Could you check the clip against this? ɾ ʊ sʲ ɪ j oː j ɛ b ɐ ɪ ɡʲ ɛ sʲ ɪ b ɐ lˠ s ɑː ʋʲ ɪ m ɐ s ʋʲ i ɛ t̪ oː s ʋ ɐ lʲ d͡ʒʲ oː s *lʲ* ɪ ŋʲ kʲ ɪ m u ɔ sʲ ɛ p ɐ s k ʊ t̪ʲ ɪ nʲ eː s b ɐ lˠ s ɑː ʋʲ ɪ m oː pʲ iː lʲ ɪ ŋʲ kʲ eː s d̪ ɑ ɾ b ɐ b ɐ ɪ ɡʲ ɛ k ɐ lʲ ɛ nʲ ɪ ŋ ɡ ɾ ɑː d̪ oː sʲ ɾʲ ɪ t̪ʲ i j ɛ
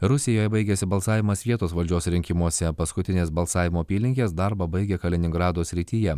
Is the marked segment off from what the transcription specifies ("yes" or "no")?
yes